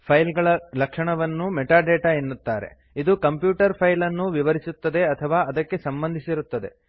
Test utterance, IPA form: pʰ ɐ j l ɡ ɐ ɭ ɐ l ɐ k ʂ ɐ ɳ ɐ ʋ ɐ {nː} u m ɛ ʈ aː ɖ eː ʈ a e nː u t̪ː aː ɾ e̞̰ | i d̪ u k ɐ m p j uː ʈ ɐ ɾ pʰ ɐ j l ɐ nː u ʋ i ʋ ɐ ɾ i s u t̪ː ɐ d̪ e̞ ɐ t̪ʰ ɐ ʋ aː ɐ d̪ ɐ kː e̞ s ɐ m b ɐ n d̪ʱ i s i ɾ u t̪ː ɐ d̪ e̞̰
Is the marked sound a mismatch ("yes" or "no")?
no